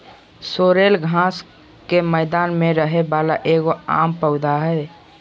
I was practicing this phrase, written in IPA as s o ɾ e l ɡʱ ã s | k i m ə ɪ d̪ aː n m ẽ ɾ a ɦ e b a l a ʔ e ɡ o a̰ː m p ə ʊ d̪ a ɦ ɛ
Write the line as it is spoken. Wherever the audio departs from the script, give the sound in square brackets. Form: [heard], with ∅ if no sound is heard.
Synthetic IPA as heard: s o ɾ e l ɡʱ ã s | k [e] m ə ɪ d̪ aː n m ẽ ɾ [ə] ɦ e b a l a ʔ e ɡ o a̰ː m p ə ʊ d̪ a ɦ ɛ

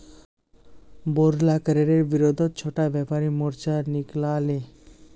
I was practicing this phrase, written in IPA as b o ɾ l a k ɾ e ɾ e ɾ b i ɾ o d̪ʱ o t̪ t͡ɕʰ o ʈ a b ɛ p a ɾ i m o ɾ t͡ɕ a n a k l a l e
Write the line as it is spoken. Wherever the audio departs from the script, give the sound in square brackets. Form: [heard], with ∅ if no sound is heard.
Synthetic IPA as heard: b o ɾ l a k ɾ e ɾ e ɾ b i ɾ o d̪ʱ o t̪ t͡ɕʰ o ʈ a b ɛ p a ɾ i m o ɾ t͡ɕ a n [i] k l a l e

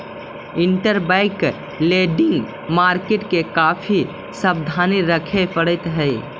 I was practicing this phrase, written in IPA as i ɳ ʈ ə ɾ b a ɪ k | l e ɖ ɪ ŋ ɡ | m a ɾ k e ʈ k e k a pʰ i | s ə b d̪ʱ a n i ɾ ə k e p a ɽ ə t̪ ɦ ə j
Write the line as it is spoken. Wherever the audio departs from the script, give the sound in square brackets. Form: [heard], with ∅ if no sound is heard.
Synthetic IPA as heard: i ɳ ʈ ə ɾ b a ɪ k | l e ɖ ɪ ŋ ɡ | m a ɾ k e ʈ k e k a pʰ i | s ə b d̪ʱ a n i ɾ ə [kʰ] e p [ə] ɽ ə t̪ ɦ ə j

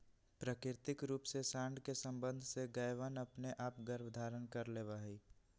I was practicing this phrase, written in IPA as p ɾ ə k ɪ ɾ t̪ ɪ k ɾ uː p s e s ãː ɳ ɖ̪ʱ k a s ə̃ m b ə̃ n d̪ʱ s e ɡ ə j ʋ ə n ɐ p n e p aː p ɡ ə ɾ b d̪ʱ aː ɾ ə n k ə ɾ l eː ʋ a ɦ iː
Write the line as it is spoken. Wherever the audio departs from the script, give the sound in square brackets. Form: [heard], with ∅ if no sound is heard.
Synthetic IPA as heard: p ɾ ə k ɪ ɾ t̪ ɪ k ɾ uː p s e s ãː ɳ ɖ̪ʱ k [e] s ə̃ m b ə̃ n d̪ʱ s e ɡ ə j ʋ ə n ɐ p n e [ʔ] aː p ɡ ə ɾ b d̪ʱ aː ɾ ə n k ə ɾ l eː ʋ a ɦ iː

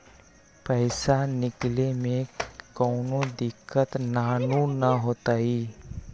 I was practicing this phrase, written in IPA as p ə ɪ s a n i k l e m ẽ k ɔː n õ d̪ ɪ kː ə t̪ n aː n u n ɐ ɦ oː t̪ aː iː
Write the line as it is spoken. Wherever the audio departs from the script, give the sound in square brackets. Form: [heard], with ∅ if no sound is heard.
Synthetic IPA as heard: p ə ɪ s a n [ɪ] k l e m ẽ k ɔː n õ d̪ ɪ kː ə t̪ n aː n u n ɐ ɦ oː t̪ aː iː

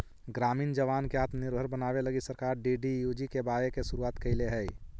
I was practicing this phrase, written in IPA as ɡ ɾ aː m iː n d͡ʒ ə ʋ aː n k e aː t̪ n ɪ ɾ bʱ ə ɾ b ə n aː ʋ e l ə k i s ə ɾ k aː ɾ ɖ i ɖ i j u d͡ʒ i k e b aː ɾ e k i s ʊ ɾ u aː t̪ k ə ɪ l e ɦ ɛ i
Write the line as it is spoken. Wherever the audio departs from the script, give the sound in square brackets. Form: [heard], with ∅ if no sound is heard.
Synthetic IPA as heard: ɡ ɾ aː m iː n d͡ʒ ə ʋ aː n k e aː t̪ n ɪ ɾ bʱ ə ɾ b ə n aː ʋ e l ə [ɡ] i s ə ɾ k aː ɾ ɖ i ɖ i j u d͡ʒ i k e b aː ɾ e k [e] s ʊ ɾ u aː t̪ k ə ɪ l e ɦ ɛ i

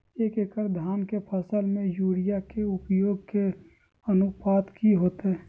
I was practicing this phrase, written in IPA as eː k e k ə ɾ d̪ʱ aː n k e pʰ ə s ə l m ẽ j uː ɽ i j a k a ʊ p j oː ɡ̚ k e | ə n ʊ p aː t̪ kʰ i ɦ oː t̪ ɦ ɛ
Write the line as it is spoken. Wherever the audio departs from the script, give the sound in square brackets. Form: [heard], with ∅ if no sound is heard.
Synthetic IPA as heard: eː k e k ə ɾ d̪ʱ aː n k e pʰ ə s ə l m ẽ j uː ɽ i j a k [e] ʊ p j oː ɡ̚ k e | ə n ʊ p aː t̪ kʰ i ɦ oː t̪ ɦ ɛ

